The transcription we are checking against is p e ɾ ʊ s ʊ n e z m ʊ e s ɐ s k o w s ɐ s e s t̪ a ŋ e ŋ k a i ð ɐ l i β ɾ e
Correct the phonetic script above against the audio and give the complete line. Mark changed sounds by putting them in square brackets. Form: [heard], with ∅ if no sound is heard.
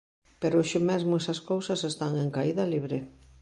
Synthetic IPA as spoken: p e ɾ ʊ [ʃ] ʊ [m] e z m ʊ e s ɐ s k o w s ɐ s e s t̪ a ŋ e ŋ k a i ð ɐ l i β ɾ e

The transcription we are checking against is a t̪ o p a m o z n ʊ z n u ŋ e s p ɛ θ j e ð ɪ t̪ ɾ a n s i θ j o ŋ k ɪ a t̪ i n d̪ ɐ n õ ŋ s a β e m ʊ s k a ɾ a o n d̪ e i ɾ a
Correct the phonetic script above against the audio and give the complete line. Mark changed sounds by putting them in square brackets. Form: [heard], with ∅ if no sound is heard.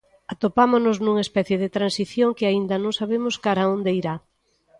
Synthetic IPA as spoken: a t̪ o p a m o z n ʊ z n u ŋ e s p ɛ θ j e ð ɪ t̪ ɾ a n s i θ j o ŋ k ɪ a [∅] i n d̪ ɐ n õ ŋ s a β e m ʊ s k a ɾ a o n d̪ e i ɾ a

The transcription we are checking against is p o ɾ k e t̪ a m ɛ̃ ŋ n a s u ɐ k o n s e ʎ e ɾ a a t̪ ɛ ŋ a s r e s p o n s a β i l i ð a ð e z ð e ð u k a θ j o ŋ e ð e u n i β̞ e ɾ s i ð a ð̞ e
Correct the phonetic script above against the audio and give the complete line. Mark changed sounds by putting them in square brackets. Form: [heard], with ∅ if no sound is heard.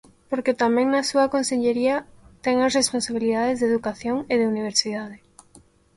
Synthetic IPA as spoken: p o ɾ k e t̪ a m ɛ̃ ŋ n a s u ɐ k o n s e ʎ e ɾ [i] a t̪ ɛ ŋ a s r e s p o n s a β i l i ð a ð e z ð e ð u k a θ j o ŋ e ð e u n i β̞ e ɾ s i ð a ð̞ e

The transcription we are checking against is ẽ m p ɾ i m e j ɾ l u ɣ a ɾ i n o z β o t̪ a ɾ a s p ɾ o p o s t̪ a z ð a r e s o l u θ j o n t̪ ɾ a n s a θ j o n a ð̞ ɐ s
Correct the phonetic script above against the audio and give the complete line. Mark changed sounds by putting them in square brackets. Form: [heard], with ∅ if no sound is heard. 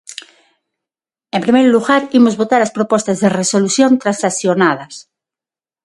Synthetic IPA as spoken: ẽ m p ɾ i m e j ɾ l u ɣ a ɾ i [m] o z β o t̪ a ɾ a s p ɾ o p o s t̪ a z ð [e] r e s o l u θ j o n t̪ ɾ a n s a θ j o n a ð̞ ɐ s

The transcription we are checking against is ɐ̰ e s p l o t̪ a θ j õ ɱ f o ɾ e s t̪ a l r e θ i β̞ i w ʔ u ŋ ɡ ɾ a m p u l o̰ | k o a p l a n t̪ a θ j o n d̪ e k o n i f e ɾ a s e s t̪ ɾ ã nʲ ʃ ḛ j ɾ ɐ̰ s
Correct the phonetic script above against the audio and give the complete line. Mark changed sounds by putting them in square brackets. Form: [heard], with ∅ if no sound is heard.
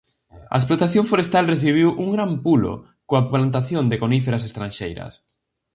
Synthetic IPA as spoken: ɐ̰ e s p l o t̪ a θ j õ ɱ f o ɾ e s t̪ a l r e θ i β̞ i w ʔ u ŋ ɡ ɾ a m p u l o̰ | k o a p l a n t̪ a θ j o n d̪ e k o n i f e ɾ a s e s t̪ ɾ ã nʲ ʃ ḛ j ɾ ɐ̰ s

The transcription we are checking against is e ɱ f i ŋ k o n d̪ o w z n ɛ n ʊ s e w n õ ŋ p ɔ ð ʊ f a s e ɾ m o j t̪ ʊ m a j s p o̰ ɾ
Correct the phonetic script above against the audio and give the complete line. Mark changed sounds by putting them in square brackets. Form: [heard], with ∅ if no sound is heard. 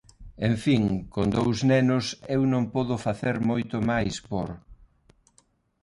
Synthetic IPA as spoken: e ɱ f i ŋ k o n d̪ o w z n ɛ n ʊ s e w n õ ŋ p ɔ ð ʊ f a [θ] e ɾ m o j t̪ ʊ m a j s p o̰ ɾ

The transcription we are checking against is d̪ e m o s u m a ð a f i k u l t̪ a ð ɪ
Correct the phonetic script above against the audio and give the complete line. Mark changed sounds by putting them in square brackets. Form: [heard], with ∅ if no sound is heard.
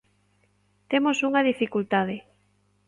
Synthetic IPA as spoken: [t̪] e m o s u [ŋ] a ð [i] f i k u l t̪ a ð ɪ

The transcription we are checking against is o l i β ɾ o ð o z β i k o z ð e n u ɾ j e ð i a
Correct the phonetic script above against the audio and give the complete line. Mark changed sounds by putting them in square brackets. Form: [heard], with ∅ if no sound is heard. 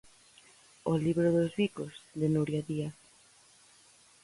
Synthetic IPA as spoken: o l i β ɾ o ð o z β i k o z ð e n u ɾ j [a] ð i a

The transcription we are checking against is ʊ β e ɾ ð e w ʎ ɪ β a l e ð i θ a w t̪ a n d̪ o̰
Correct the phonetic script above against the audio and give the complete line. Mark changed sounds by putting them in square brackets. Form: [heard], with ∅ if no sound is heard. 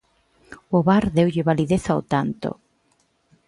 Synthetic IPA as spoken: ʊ β [a] ɾ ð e w ʎ ɪ β a l [i] ð [e] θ a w t̪ a n [t̪] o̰

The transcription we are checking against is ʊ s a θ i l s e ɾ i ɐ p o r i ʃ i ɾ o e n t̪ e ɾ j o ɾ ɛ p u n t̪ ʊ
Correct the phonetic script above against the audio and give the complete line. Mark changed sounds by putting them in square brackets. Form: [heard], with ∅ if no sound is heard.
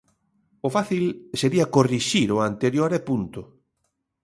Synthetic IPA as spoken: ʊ [f] a θ i l s e ɾ i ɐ [k] o r i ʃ i ɾ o [a] n t̪ e ɾ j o ɾ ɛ p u n t̪ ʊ

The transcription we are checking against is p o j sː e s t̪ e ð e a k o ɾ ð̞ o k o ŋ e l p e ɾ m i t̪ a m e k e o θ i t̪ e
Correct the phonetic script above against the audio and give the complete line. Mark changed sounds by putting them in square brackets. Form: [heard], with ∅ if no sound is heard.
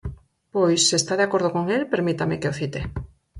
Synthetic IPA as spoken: p o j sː e s t̪ [a] ð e a k o ɾ ð̞ o k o ŋ e l p e ɾ m i t̪ a m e k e o θ i t̪ e

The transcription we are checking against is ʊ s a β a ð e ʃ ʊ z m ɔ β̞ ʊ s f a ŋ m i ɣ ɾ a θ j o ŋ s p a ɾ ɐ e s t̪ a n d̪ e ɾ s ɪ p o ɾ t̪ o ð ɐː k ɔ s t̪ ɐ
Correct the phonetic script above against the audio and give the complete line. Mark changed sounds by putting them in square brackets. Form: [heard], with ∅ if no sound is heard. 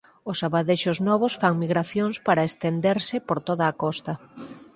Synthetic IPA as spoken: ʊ s a β a ð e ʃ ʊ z [n] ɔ β̞ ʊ s f a ŋ m i ɣ ɾ a θ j o ŋ s p a ɾ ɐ e s t̪ [e] n d̪ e ɾ s ɪ p o ɾ t̪ o ð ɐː k ɔ s t̪ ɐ

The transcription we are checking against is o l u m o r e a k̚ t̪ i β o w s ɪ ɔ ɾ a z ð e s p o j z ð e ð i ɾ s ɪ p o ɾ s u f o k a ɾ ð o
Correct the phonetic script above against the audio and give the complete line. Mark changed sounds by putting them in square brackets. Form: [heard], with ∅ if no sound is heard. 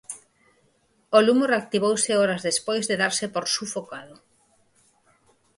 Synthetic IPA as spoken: o l u m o r e a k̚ t̪ i β o w s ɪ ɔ ɾ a z ð e s p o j z ð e ð [a] ɾ s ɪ p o ɾ s u f o k a [∅] ð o

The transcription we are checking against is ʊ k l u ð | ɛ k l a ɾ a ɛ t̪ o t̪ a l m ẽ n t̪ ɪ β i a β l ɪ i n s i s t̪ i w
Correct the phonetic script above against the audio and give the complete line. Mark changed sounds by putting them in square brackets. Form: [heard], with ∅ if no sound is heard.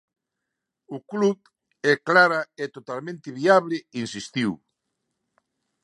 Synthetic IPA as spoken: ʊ k l u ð | ɛ k l a ɾ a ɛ t̪ o t̪ a l m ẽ n t̪ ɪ β i a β l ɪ i n s i s t̪ i w

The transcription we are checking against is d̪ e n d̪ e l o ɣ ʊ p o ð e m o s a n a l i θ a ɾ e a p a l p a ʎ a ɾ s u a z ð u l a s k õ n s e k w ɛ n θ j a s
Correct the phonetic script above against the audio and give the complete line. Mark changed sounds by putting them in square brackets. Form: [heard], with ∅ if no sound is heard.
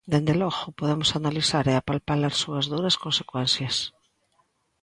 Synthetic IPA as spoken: d̪ e n d̪ e l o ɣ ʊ p o ð e m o s a n a l i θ a ɾ e a p a l p a [l] a ɾ s u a z ð u [ɾ] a s k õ n s e k w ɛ n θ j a s

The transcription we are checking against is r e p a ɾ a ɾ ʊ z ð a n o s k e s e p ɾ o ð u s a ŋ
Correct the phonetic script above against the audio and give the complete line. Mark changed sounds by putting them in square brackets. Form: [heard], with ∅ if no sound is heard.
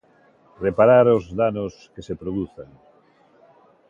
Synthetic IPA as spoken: r e p a ɾ a ɾ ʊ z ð a n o s k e s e p ɾ o ð u [θ] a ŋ

